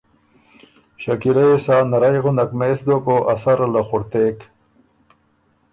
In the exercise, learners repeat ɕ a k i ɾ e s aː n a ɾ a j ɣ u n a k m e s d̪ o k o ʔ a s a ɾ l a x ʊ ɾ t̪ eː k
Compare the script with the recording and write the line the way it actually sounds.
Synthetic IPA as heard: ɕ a k i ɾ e s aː n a ɾ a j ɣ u n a k m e s d̪ o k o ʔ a s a ɾ l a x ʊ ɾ t̪ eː k